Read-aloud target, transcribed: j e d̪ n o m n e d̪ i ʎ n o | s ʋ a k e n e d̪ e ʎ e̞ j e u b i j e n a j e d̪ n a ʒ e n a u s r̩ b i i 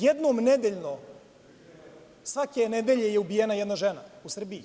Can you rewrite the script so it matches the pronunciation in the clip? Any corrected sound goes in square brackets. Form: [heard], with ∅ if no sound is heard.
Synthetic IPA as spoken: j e d̪ n o m n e d̪ [e] ʎ n o | s ʋ a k e n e d̪ e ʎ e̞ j e u b i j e n a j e d̪ n a ʒ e n a u s r̩ b i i

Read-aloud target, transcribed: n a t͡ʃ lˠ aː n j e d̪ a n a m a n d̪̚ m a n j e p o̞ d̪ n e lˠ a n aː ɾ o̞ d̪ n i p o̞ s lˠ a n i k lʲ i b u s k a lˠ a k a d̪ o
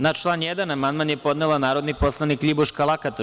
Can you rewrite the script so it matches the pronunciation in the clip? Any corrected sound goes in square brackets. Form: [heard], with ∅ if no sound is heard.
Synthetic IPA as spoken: n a t͡ʃ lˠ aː n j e d̪ a n a m a n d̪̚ m a n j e p o̞ d̪ n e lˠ a n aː ɾ o̞ d̪ n i p o̞ s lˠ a n i k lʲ i b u [ʃ] k a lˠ a k a [t̪] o

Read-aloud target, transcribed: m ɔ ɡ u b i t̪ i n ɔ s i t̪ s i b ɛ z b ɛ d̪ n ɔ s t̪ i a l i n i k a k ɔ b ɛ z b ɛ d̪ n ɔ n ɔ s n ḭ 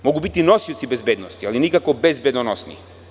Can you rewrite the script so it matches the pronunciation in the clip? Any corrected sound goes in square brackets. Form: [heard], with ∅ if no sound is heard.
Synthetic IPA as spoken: m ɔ ɡ u b i t̪ i n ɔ s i t̪ s i b ɛ z b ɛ d̪ n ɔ s t̪ i a l i n i k a k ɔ b ɛ z b ɛ d̪ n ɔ n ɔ s n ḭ

